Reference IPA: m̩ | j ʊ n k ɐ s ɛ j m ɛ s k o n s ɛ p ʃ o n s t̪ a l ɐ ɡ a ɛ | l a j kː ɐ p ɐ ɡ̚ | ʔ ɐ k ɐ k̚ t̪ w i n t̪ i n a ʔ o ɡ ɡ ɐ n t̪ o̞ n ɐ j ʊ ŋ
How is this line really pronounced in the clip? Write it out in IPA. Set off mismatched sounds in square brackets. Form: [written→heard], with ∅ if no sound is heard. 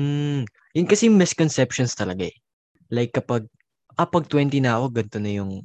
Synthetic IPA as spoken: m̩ | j ʊ n k ɐ s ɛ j m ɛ s k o n s ɛ p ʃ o n s t̪ [a→ɐ] l ɐ ɡ a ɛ | l a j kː ɐ p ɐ ɡ̚ | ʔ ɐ [k→p] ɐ [k̚→ɡ̚] t̪ w [i→ɛ] n t̪ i n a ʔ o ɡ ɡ ɐ n t̪ o̞ n ɐ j ʊ ŋ